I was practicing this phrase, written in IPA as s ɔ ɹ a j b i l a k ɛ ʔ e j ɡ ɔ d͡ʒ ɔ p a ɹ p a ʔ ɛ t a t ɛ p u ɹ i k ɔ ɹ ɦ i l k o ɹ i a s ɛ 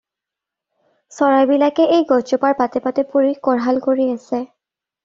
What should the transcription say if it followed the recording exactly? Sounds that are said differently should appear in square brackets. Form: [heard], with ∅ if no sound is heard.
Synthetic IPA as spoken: s ɔ ɹ a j b i l a k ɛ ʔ e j ɡ ɔ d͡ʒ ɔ p a ɹ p a [t] ɛ [p] a t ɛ p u ɹ i k ɔ ɹ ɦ [a] l k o ɹ i a s ɛ